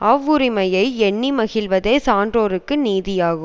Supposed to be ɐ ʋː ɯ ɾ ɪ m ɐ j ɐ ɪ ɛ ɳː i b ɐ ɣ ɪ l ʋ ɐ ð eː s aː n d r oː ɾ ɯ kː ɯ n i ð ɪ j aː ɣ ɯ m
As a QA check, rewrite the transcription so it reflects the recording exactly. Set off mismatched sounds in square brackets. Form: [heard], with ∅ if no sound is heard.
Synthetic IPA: ɐ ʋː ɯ ɾ ɪ m ɐ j ɐ ɪ ɛ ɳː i [m] ɐ ɣ ɪ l ʋ ɐ ð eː s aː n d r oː ɾ ɯ kː ɯ n [iː] ð ɪ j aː ɣ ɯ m